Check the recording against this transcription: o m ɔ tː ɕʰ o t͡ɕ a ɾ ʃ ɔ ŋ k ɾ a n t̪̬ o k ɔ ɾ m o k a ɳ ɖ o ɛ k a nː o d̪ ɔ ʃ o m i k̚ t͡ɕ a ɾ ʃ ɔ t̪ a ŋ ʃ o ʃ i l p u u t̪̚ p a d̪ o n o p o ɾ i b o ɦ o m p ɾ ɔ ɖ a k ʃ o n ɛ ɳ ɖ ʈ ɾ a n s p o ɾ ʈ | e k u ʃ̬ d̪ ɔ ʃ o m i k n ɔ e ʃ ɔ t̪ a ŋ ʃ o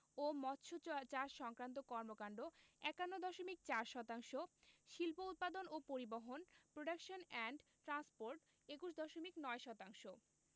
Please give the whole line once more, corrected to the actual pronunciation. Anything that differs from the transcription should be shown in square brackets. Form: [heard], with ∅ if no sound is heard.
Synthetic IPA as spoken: o m ɔ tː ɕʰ o t͡ɕ a ɾ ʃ ɔ ŋ k ɾ a n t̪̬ o k ɔ ɾ m o k a ɳ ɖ o ɛ k a nː o d̪ ɔ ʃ o m i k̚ t͡ɕ a ɾ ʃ ɔ t̪ a ŋ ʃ o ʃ i l p [o] u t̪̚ p a d̪ o n o p o ɾ i b o ɦ o [n] p ɾ [o] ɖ a k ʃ o n ɛ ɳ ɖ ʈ ɾ a n s p o ɾ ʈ | e k u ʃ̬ d̪ ɔ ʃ o m i k n ɔ e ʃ ɔ t̪ a ŋ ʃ o

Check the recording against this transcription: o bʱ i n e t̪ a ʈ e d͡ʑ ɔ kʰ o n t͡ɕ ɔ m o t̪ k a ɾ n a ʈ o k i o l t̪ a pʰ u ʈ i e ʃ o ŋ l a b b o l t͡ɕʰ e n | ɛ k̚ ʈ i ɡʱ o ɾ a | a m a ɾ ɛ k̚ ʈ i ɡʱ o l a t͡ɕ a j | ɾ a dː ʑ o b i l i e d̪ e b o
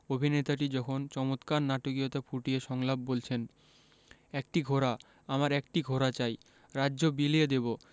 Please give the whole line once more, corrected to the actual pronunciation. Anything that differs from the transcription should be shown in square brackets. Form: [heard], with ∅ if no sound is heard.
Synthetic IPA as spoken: o bʱ i n e t̪ a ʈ [i] d͡ʑ ɔ kʰ o n t͡ɕ ɔ m o t̪ k a ɾ n a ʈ o k i o [∅] t̪ a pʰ u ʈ i e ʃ [ɔ] ŋ l a b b o l t͡ɕʰ e n | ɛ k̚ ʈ i ɡʱ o ɾ a | a m a ɾ ɛ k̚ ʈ i ɡʱ o [ɾ] a t͡ɕ a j | ɾ a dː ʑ o b i l i e d̪ e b o

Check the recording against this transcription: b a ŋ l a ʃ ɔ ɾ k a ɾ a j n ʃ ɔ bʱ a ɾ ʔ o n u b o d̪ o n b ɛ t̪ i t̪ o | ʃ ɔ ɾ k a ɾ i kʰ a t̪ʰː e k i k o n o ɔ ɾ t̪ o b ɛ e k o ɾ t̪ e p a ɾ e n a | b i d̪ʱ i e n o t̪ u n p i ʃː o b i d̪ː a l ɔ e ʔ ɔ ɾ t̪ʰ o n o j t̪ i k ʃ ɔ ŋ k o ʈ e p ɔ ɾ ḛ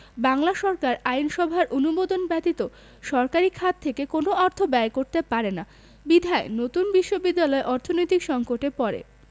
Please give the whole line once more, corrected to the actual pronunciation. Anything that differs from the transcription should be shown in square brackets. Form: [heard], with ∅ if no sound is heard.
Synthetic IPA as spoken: b a ŋ l a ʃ ɔ ɾ k a ɾ a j n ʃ ɔ bʱ a ɾ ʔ o n u b o d̪ o n b ɛ t̪ i t̪ o | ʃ ɔ ɾ k a ɾ i kʰ a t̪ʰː e k [e] k o n o ɔ ɾ [t̪ʰ] o b ɛ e k o ɾ t̪ e p a ɾ e n a | b i d̪ʱ [a] e n o t̪ u n [b] i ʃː o b i d̪ː a l ɔ e ʔ ɔ ɾ t̪ʰ o n o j t̪ i k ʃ ɔ ŋ k o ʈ e p ɔ ɾ ḛ

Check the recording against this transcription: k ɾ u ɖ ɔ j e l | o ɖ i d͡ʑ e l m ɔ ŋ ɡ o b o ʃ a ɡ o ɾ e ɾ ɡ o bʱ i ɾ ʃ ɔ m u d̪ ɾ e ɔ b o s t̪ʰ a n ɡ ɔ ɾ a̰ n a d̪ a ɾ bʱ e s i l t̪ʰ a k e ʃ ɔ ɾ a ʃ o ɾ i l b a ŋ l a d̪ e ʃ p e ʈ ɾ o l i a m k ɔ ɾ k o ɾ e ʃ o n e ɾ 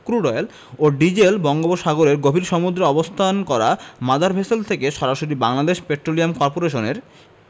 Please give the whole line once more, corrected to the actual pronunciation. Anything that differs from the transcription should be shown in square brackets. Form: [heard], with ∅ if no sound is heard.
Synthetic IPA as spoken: k ɾ u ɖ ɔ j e l | o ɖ i d͡ʑ e l [b] ɔ ŋ ɡ o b o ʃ a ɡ o ɾ e ɾ ɡ o bʱ i ɾ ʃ ɔ m u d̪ ɾ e ɔ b o s t̪ʰ a n [k] ɔ ɾ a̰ [m] a d̪ a ɾ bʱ e s [e] l t̪ʰ [e] k e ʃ ɔ ɾ a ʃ o ɾ i [∅] b a ŋ l a d̪ e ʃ p e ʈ ɾ o l i a m k ɔ ɾ [p] o ɾ e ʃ o n e ɾ

